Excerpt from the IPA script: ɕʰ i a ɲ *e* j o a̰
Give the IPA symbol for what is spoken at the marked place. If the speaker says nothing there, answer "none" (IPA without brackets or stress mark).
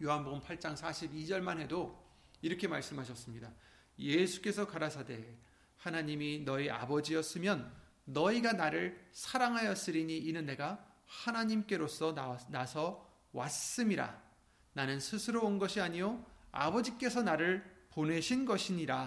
i